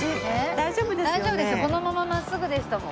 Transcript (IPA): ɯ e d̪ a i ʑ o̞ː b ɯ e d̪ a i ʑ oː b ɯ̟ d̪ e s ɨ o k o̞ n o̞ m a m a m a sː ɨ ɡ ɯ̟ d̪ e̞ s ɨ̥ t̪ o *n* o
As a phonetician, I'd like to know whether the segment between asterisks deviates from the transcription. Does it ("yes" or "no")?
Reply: yes